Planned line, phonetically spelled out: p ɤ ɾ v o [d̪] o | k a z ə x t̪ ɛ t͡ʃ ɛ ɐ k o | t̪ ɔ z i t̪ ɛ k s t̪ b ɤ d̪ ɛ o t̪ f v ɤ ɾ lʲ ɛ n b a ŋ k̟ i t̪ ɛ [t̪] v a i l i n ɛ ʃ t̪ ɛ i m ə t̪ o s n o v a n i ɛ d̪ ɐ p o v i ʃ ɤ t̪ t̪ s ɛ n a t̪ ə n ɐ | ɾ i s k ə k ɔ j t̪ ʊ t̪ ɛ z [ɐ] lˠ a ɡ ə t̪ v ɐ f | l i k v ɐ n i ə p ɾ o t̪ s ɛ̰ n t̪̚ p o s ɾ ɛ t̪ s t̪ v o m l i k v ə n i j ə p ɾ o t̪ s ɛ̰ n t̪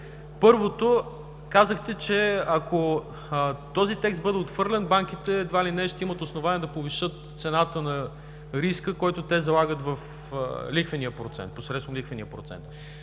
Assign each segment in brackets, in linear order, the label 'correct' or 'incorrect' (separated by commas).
incorrect, incorrect, correct